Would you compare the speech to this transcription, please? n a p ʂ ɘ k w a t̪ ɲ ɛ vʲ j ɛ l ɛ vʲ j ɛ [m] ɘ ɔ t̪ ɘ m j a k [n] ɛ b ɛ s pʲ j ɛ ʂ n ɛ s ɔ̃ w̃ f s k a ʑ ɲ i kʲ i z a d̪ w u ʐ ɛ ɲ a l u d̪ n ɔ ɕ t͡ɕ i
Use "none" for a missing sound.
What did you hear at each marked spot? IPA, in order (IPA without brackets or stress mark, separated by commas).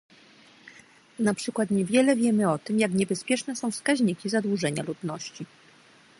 m, ɲ